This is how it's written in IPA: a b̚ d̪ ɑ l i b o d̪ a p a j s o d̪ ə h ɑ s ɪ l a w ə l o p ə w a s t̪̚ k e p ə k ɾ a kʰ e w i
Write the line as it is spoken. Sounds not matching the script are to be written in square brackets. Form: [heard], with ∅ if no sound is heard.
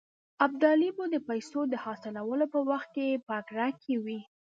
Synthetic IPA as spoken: a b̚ d̪ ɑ l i b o d̪ [ə] p a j s o d̪ ə h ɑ s ɪ l a w ə l o p ə w a [x] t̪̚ k e p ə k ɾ a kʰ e w i